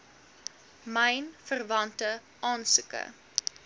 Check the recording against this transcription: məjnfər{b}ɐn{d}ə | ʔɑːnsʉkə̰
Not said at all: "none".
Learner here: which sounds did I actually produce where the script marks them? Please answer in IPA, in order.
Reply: v, t

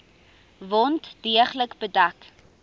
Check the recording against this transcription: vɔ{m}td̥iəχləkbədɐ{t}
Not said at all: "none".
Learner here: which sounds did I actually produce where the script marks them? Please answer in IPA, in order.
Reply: n, k

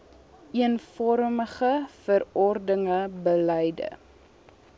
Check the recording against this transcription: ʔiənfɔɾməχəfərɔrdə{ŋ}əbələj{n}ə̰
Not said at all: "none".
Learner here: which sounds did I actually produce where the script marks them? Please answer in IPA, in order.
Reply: ŋ, d

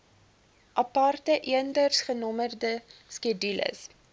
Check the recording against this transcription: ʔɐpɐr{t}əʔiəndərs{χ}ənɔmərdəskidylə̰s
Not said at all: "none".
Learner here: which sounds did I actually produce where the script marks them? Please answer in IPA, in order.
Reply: t, χ

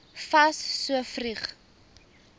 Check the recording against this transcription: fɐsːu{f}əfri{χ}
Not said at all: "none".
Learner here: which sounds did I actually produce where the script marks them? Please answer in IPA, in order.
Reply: none, χ

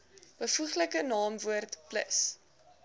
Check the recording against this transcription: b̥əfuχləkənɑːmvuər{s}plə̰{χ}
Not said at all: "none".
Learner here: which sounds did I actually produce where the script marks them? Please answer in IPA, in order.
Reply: t, s

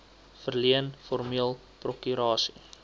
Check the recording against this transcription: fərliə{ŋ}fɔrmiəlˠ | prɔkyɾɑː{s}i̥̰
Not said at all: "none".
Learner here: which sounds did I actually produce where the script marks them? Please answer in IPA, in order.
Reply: n, s

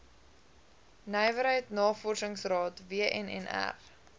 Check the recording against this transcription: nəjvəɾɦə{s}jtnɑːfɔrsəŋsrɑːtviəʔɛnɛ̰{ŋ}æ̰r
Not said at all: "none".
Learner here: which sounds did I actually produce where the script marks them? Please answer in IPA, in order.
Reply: none, n

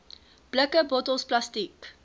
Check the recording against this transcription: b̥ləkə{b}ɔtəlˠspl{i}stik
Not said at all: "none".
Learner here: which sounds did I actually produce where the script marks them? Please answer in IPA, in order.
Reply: b, a

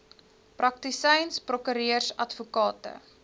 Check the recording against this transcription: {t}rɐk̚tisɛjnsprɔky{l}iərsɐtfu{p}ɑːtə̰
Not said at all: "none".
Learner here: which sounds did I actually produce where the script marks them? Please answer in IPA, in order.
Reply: p, ɾ, k

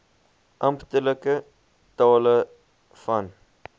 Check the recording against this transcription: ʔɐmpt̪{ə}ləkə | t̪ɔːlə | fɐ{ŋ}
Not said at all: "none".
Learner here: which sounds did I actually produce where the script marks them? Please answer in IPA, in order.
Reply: ə, n

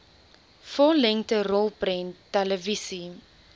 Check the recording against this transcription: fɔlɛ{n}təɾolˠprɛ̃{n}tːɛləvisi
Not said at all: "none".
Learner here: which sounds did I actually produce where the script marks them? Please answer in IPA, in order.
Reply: ŋ, n

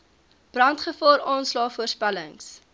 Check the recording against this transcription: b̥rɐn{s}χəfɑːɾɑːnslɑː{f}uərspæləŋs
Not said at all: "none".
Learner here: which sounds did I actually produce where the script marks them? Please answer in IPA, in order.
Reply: t, f

